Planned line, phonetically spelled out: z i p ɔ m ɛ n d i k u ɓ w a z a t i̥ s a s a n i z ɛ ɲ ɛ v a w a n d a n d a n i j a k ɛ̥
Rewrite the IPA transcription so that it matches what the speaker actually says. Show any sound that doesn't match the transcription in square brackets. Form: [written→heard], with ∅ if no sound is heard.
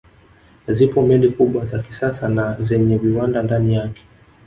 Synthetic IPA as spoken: z i p ɔ m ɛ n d i k u ɓ w a z a [t→k] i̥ s a s a n [i→a] z ɛ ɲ ɛ v [a→i] w a n d a n d a n i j a k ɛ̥